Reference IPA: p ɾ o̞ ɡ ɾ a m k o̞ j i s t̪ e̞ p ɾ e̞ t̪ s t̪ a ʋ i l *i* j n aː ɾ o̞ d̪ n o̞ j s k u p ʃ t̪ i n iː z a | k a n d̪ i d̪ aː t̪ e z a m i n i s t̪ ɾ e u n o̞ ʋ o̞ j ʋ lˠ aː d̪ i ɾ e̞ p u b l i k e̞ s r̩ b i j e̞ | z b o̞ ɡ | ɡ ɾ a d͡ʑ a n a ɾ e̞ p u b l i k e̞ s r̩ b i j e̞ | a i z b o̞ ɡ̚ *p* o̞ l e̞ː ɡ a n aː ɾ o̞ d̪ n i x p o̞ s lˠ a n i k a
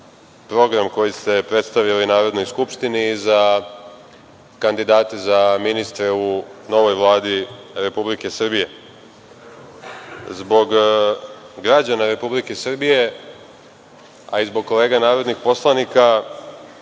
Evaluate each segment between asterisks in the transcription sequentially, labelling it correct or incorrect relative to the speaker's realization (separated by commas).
correct, incorrect